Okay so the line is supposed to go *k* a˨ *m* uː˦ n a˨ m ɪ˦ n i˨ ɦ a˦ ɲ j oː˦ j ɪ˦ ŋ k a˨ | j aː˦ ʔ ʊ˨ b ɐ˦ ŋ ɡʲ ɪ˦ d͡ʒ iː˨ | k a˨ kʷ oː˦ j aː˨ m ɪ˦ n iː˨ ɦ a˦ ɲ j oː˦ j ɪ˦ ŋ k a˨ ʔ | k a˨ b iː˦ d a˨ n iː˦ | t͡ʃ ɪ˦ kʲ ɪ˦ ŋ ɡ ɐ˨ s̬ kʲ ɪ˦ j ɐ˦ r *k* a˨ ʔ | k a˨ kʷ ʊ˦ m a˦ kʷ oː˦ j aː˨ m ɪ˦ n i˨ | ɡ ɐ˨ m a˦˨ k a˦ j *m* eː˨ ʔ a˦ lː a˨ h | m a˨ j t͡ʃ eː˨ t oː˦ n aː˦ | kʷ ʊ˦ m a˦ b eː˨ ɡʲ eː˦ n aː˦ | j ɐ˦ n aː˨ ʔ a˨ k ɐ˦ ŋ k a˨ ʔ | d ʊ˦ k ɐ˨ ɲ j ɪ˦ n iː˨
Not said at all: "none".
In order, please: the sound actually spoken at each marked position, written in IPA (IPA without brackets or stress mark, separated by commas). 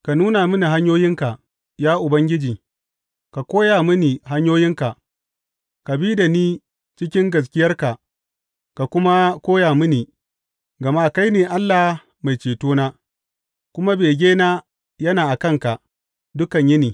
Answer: k, n, k, n